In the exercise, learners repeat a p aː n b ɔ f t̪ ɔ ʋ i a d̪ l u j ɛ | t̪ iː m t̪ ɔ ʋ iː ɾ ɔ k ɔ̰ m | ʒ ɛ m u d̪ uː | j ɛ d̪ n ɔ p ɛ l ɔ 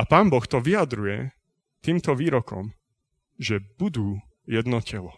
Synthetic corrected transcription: a p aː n b ɔ x t̪ ɔ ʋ i a d̪ ɾ u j ɛ | t̪ iː m t̪ ɔ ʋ iː ɾ ɔ k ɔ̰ m | ʒ ɛ b u d̪ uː | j ɛ d̪ n ɔ c ɛ l ɔ